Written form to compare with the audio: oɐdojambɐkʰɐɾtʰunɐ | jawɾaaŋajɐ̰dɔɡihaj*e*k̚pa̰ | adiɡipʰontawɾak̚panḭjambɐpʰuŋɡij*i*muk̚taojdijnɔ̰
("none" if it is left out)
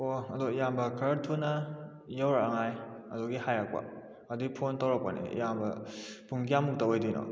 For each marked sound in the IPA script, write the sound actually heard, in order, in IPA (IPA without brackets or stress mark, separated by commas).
a, a